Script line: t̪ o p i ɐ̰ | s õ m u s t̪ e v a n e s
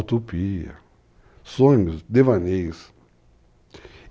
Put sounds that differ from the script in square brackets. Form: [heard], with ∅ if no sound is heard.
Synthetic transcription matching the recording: t̪ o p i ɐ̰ | s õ [ɲ] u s [d̪] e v a n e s